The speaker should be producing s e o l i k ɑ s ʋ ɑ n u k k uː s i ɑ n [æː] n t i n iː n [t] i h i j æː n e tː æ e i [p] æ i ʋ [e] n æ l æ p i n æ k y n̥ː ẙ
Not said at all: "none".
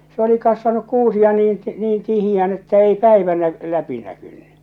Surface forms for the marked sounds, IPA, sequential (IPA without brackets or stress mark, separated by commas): iː, t, p, æ